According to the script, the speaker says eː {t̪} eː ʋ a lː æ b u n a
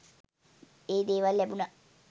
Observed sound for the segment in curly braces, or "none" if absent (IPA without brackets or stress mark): d̪